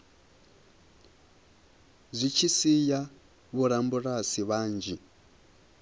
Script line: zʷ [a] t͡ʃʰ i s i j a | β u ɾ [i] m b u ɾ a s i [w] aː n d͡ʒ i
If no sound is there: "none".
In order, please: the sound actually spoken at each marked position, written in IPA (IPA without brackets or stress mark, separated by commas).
i, a, β